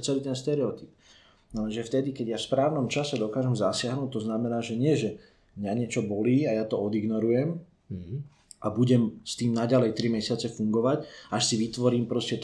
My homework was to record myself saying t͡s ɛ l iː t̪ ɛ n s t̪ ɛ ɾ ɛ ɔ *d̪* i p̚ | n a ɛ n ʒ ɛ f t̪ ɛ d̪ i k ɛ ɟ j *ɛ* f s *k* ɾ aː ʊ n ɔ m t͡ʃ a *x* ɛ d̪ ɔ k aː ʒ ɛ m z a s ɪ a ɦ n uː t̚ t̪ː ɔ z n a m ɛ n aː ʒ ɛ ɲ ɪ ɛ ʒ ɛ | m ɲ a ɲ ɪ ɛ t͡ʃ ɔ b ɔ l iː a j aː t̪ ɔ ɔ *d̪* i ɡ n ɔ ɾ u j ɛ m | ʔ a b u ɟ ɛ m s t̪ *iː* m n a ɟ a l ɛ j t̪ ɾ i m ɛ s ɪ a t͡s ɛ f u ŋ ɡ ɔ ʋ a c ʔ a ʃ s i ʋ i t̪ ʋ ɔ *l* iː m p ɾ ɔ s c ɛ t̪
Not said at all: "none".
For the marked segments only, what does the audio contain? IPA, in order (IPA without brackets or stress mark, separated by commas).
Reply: t̪, a, p, s, d̪, iː, ɾ